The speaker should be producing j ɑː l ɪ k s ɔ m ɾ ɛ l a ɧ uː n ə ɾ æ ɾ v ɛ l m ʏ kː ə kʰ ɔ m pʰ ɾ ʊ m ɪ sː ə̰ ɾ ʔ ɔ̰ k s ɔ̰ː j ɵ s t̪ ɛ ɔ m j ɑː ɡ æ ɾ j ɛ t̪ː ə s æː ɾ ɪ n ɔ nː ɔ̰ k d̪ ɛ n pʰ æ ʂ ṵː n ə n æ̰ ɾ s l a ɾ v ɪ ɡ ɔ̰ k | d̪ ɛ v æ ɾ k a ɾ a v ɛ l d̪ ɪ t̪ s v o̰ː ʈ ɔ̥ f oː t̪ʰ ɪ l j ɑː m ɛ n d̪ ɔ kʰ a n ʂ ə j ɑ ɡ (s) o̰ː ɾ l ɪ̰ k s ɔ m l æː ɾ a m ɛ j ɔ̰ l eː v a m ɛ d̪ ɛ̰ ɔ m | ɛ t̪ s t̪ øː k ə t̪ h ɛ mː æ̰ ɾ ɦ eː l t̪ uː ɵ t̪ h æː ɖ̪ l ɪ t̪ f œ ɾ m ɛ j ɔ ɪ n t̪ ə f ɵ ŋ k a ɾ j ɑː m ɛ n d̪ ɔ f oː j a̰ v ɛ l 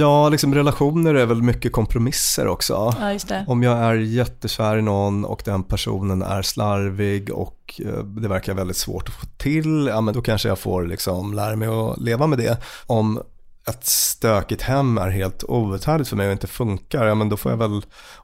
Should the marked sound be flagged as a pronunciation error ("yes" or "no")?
yes